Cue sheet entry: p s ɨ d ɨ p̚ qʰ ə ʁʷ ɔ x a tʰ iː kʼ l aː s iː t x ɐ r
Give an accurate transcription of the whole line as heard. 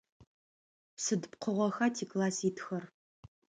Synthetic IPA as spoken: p s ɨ d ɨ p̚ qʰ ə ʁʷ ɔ x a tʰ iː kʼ l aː s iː t x ɐ r